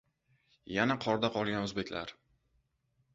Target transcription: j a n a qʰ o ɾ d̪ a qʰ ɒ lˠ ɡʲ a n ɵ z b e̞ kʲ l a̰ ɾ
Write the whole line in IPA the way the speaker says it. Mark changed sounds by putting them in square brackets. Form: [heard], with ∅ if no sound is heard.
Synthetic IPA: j a n a qʰ [ɒ] ɾ d̪ a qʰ ɒ lˠ ɡʲ a n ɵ z b e̞ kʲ l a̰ ɾ